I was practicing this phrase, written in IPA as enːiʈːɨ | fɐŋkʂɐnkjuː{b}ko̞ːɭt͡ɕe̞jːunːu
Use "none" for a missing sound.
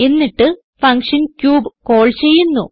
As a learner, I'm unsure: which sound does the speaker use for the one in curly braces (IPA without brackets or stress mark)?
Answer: b